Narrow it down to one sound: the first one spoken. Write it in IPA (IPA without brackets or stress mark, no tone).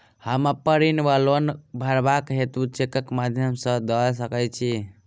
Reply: h